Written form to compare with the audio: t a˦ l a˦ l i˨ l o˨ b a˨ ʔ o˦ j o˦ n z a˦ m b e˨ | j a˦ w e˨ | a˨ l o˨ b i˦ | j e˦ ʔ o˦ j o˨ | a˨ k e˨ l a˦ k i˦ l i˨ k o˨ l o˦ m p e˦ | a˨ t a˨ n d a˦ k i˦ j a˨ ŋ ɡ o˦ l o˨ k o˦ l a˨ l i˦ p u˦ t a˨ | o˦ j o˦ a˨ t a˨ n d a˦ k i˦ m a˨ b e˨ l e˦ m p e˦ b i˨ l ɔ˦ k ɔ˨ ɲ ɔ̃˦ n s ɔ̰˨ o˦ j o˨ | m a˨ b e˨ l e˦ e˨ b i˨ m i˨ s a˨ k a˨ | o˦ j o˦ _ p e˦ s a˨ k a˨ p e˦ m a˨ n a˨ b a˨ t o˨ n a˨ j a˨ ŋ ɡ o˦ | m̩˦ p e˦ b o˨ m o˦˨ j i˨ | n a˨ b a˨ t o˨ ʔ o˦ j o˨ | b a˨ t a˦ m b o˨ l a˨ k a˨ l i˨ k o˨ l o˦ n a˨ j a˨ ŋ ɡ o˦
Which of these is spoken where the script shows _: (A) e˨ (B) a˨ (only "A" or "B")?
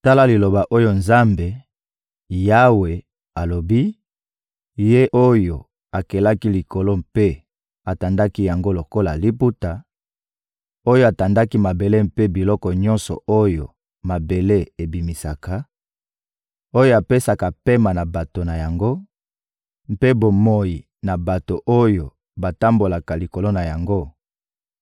B